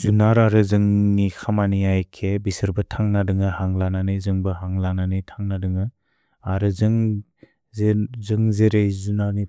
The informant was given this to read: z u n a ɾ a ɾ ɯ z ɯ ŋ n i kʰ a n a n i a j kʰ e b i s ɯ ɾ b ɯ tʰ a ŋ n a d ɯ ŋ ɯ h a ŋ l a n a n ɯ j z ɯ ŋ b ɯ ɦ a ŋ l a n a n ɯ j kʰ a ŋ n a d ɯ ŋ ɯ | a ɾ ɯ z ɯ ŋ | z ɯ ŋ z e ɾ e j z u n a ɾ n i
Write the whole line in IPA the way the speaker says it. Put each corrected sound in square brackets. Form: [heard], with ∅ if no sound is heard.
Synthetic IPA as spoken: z u n a ɾ a ɾ ɯ z ɯ ŋ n i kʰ a [m] a n i a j kʰ e b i s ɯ ɾ b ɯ tʰ a ŋ n a d ɯ ŋ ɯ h a ŋ l a n a n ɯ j z ɯ ŋ b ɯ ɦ a ŋ l a n a n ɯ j [tʰ] a ŋ n a d ɯ ŋ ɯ | a ɾ ɯ z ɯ ŋ | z ɯ ŋ z e ɾ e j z u n a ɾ n i